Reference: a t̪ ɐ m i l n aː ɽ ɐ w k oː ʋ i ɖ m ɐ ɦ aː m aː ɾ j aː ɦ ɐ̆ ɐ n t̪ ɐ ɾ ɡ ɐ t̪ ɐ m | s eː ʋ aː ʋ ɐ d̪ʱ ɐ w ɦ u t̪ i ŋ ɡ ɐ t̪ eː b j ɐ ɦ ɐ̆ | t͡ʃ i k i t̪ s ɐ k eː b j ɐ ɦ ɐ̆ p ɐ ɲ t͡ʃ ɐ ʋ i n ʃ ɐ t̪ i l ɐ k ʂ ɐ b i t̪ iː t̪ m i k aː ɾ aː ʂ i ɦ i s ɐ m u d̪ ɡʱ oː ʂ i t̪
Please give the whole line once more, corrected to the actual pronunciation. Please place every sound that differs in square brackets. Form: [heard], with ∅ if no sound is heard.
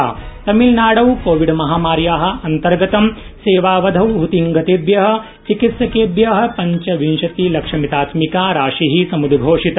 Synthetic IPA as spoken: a t̪ ɐ m i l n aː ɽ ɐ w k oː ʋ i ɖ m ɐ ɦ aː m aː ɾ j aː ɦ ɐ̆ ɐ n t̪ ɐ ɾ ɡ ɐ t̪ ɐ m | s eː ʋ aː ʋ ɐ d̪ʱ ɐ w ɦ u t̪ i ŋ ɡ ɐ t̪ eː b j ɐ ɦ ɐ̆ | t͡ʃ i k i t̪ s ɐ k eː b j ɐ ɦ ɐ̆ p ɐ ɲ t͡ʃ ɐ ʋ i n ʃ ɐ t̪ i l ɐ k ʂ ɐ [m] i t̪ [aː] t̪ m i k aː ɾ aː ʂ i ɦ i s ɐ m u d̪ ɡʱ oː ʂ i t̪